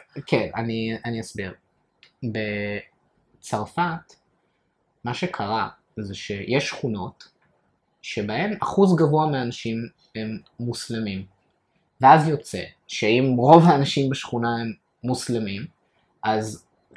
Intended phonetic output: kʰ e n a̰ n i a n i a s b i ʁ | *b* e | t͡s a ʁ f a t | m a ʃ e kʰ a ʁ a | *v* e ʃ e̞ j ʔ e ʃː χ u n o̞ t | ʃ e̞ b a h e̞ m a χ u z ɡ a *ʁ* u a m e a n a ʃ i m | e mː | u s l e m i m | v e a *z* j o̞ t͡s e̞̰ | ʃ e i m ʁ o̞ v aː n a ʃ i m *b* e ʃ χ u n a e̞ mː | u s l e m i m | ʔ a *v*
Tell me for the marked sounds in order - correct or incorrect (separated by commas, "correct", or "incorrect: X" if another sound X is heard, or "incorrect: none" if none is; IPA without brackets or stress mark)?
correct, incorrect: z, incorrect: v, correct, correct, incorrect: z